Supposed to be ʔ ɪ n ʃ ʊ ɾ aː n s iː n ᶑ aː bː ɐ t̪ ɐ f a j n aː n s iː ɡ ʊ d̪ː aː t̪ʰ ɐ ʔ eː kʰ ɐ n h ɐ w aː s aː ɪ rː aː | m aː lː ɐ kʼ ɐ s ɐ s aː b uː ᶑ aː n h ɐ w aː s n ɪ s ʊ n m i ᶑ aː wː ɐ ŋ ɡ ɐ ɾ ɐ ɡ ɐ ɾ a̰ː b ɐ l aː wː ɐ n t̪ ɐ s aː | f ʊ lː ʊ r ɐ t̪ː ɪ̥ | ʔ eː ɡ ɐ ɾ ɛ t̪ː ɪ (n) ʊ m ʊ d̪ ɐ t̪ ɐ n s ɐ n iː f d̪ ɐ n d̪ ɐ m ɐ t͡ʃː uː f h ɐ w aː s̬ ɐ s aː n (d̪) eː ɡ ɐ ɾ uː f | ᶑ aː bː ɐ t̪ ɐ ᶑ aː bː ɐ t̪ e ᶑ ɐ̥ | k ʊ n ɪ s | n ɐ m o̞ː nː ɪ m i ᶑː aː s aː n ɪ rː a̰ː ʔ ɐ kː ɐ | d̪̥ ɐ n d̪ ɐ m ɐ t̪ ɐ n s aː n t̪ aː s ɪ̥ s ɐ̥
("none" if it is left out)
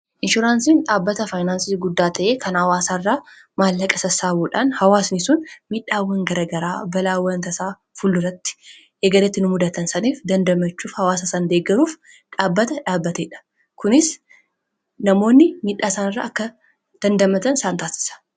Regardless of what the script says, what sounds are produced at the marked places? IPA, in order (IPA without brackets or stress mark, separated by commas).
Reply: n, d̪